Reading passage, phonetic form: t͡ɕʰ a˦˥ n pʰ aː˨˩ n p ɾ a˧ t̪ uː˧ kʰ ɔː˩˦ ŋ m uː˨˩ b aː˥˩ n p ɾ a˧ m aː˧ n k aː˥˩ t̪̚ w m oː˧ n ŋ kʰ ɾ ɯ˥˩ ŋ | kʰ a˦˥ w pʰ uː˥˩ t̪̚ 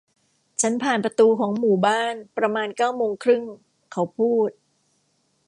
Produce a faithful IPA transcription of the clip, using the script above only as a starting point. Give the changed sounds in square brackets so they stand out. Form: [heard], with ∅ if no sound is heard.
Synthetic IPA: t͡ɕʰ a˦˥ n pʰ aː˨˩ n p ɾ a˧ t̪ uː˧ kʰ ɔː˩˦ ŋ m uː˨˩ b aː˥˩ n p ɾ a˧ m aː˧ n k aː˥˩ [∅] w m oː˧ [∅] ŋ kʰ ɾ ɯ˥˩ ŋ | kʰ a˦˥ w pʰ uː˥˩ t̪̚